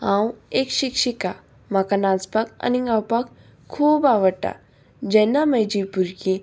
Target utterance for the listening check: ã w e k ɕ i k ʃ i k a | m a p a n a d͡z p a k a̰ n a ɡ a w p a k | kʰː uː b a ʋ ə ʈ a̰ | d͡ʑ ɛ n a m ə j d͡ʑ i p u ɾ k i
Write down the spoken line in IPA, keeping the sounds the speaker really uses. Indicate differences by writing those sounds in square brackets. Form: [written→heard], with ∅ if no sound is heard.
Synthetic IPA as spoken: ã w e k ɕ i k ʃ i k a | m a [p→k] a n a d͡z p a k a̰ n [a→i] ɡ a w p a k | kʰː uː b a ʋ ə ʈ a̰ | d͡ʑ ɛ n a m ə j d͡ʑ i p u ɾ k i

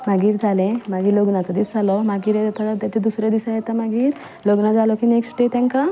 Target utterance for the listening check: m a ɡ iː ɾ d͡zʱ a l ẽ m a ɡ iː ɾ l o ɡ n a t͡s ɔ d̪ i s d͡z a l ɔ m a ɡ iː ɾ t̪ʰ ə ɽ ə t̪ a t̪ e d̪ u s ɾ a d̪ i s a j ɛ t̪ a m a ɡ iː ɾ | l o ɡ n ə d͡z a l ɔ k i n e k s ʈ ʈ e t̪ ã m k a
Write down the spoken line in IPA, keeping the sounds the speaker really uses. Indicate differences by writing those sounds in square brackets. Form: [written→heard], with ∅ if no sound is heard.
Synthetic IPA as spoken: m a ɡ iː ɾ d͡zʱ a l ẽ m a ɡ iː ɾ l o ɡ n a t͡s ɔ d̪ i s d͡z a l ɔ m a ɡ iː ɾ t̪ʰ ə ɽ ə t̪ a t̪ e d̪ u s ɾ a d̪ i s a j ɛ t̪ a m a ɡ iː ɾ | l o ɡ n [ə→a] d͡z a l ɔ k i n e k s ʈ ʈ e t̪ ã [m→ŋ] k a

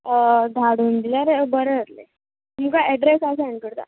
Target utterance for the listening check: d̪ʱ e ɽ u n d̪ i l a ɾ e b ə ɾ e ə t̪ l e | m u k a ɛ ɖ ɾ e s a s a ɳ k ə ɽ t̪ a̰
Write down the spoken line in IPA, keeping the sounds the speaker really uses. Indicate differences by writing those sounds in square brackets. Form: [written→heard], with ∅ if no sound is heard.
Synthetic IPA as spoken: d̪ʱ [e→a] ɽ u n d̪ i l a ɾ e b ə ɾ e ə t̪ l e | m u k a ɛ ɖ ɾ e s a s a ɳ k ə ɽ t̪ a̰

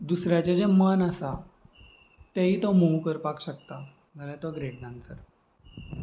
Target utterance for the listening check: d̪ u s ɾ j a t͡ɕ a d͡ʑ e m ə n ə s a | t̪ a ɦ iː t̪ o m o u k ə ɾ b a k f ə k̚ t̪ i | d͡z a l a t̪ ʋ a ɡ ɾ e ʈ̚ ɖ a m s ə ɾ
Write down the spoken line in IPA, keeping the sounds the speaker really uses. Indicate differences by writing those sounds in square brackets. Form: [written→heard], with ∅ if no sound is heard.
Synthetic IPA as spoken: d̪ u s ɾ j a t͡ɕ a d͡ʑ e m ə n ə s a | t̪ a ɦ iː t̪ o m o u k ə ɾ [b→p] a k [f→ɕ] ə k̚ t̪ [i→a] | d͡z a l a t̪ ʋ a ɡ ɾ e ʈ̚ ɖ a [m→n] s ə ɾ

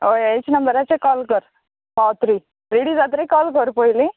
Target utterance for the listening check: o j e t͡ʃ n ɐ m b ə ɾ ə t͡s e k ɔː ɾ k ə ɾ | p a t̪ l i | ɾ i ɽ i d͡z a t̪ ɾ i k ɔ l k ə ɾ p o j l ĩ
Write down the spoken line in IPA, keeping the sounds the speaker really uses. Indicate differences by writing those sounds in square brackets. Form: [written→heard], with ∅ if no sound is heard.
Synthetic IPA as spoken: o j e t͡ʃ n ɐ m b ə ɾ [ə→a] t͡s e k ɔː [ɾ→l] k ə ɾ | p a t̪ [l→ɾ] i | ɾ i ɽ i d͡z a t̪ ɾ i k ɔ l k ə ɾ p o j l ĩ

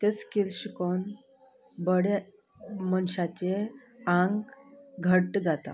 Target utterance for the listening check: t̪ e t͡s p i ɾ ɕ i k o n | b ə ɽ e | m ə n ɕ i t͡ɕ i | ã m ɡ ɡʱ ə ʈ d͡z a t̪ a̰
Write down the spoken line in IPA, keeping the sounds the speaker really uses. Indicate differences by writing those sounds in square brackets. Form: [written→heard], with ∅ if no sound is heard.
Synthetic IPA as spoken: t̪ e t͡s [p→k] i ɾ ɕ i k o n | b ə ɽ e | m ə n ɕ [i→a] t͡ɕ [i→e] | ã [m→ŋ] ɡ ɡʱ ə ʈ d͡z a t̪ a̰

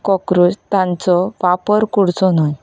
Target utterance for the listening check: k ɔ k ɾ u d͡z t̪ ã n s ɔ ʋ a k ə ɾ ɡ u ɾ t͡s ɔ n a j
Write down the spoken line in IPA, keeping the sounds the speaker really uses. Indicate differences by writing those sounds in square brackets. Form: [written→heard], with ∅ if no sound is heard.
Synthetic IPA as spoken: k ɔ k ɾ u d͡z t̪ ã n [s→t͡s] ɔ ʋ a [k→p] ə ɾ [ɡ→k] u [ɾ→ɽ] t͡s ɔ n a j

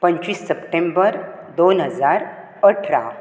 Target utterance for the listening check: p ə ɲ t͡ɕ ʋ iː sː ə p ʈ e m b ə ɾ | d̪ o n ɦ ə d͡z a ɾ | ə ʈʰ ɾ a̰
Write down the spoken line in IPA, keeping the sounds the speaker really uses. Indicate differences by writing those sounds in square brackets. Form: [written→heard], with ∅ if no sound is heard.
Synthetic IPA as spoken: p ə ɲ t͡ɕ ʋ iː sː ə p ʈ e m b ə ɾ | d̪ o n ɦ ə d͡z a ɾ | ə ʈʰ ɾ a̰

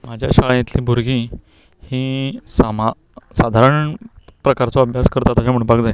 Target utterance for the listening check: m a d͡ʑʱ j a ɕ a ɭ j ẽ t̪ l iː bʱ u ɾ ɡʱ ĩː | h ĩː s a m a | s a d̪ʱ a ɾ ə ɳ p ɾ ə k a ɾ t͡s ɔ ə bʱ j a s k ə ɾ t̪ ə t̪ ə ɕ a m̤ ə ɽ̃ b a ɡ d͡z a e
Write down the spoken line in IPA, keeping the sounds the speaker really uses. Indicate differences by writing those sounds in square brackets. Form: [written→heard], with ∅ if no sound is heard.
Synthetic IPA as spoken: m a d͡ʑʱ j a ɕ a ɭ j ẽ t̪ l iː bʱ u ɾ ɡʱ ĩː | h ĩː s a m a | s a d̪ʱ a ɾ ə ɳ p ɾ ə k a ɾ t͡s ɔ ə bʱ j a s k ə ɾ t̪ [ə→a] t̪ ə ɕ a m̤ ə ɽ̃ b a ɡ d͡z a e

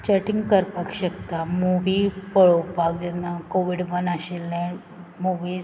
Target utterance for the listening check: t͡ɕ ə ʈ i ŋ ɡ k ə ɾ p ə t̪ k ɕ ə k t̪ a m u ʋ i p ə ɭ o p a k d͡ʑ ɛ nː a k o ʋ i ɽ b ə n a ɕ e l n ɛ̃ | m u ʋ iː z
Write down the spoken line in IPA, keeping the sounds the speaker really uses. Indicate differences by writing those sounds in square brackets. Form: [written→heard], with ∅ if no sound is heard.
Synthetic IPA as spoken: t͡ɕ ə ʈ i ŋ ɡ k ə ɾ p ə [t̪→∅] k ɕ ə k t̪ a m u ʋ i p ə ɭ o p a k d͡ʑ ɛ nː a k o ʋ i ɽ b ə n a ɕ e l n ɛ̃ | m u ʋ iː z

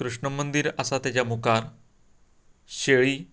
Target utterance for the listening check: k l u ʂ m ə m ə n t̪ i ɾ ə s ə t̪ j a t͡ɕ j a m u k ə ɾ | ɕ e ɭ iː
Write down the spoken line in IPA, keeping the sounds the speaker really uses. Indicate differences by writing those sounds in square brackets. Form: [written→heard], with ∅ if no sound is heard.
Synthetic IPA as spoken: k [l→ɾ] u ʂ [m→ɳ] ə m ə n [t̪→d̪] i ɾ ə s [ə→a] t̪ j a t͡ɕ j a m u k [ə→a] ɾ | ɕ e ɭ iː

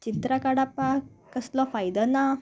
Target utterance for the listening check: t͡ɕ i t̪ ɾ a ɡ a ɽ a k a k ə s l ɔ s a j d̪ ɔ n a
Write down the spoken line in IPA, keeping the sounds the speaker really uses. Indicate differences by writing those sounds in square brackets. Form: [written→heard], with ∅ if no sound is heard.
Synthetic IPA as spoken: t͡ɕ i t̪ ɾ a [ɡ→k] a ɽ a [k→p] a k ə s l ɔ [s→f] a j d̪ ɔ n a

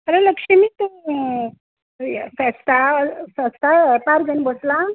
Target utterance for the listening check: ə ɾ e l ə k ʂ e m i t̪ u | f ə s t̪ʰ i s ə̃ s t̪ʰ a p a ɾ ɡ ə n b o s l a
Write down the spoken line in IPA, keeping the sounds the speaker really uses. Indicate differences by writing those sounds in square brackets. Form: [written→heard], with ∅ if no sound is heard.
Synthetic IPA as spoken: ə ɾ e l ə k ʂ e m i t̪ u | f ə s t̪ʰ [i→a] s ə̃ s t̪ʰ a p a ɾ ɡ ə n b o s l a

